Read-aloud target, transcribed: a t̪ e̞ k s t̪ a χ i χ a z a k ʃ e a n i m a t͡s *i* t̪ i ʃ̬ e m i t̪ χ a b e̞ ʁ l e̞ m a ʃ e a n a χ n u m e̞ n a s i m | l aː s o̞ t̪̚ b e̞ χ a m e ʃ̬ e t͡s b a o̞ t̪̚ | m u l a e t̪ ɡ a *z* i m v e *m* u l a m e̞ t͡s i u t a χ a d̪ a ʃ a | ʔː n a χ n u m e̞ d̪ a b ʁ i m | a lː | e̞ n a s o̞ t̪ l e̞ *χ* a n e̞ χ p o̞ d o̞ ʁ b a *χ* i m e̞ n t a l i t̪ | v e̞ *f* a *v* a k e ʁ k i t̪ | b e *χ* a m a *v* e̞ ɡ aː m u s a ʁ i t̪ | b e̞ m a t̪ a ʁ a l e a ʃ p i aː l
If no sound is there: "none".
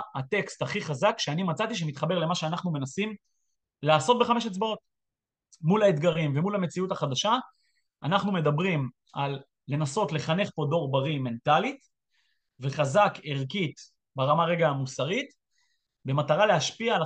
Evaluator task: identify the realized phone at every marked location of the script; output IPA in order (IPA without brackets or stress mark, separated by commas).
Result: a, ʁ, m, χ, ʁ, χ, z, ʁ, ʁ